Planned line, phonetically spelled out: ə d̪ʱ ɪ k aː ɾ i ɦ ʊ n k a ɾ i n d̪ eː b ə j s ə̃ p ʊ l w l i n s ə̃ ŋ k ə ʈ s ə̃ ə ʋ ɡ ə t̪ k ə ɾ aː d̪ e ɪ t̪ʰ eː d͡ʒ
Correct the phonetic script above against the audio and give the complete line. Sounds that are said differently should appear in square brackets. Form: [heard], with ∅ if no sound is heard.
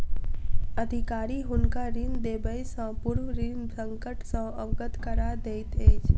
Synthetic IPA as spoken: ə d̪ʱ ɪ k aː ɾ i ɦ ʊ n k a ɾ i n d̪ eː b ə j s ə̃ p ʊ [ɾ] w [ɾ] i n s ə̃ ŋ k ə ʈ s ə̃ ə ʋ ɡ ə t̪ k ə ɾ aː d̪ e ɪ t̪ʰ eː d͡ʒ